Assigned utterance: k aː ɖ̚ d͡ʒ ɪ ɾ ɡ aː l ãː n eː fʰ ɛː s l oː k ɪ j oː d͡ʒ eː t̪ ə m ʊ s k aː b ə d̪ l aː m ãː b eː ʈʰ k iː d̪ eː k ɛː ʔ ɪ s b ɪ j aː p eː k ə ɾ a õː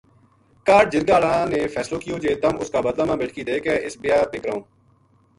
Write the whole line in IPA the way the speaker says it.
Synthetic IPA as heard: k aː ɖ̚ d͡ʒ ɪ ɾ ɡ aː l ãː n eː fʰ ɛː s l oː k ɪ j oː d͡ʒ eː t̪ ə m ʊ s k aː b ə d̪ l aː m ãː b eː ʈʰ k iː d̪ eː k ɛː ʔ ɪ s b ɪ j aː p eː k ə ɾ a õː